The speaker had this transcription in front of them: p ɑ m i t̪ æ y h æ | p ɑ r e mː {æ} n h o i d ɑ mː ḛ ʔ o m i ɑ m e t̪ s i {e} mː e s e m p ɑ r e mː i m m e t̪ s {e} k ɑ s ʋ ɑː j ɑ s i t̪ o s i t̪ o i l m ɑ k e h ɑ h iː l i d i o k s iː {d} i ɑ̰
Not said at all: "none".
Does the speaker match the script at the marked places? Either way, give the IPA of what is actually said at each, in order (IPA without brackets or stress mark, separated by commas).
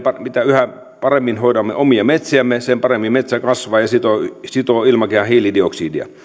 i, æ, æ, d